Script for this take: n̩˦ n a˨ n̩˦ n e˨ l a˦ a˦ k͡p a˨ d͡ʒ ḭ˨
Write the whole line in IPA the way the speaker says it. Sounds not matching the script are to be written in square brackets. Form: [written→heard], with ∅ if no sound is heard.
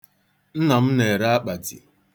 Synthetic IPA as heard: n̩˦ n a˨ [n̩˦→m̩˦] n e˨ [l→ɾ] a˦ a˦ k͡p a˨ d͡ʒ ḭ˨